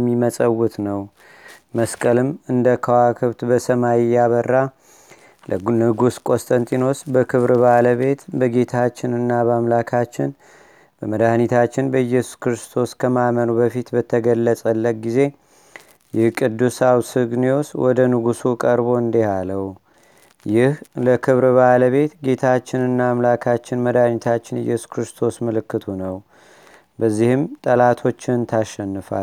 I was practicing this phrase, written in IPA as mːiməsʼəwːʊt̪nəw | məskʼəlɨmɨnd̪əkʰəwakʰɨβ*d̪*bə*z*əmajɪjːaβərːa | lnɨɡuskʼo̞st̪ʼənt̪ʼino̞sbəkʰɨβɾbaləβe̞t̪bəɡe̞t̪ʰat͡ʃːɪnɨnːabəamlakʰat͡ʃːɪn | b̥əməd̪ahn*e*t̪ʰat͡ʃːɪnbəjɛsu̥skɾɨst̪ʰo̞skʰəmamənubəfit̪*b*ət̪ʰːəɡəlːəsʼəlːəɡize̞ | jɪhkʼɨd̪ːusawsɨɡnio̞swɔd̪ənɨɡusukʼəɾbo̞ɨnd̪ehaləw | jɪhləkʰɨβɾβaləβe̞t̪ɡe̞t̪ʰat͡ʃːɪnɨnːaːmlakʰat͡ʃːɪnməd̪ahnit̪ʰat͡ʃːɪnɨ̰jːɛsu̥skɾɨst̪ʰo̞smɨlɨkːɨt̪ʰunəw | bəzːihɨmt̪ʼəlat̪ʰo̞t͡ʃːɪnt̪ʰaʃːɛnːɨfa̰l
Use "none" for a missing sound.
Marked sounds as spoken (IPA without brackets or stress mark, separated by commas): t̪, s, i, b